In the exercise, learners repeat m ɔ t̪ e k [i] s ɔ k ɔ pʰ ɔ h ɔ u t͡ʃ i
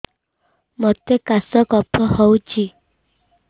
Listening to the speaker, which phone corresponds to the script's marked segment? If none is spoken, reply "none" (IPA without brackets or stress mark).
a